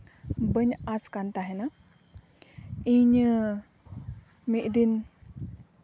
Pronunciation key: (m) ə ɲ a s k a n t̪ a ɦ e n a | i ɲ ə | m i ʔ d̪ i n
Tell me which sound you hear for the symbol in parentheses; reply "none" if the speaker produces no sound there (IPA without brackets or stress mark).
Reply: b